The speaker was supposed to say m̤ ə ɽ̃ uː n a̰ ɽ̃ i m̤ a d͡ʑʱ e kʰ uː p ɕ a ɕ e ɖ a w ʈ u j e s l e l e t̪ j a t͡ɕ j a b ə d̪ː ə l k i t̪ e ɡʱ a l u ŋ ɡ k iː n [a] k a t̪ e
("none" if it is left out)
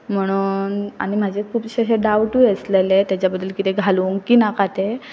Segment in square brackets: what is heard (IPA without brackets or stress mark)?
a